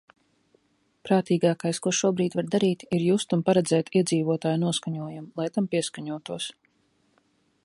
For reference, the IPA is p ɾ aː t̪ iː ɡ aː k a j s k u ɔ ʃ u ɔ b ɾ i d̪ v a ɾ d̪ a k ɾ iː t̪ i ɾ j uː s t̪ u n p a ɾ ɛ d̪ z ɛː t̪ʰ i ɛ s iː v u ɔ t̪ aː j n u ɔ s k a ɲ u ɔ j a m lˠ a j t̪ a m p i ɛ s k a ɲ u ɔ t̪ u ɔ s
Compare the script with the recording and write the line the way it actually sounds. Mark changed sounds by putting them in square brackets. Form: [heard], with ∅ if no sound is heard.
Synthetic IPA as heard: p ɾ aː t̪ iː ɡ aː k a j s k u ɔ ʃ u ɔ b ɾ [iː] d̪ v a ɾ d̪ a [∅] ɾ iː t̪ i ɾ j uː s t̪ u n p a ɾ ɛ d̪ z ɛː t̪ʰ i ɛ [z] iː v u ɔ t̪ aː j n u ɔ s k a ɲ u ɔ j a m lˠ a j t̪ a m p i ɛ s k a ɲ u ɔ t̪ u ɔ s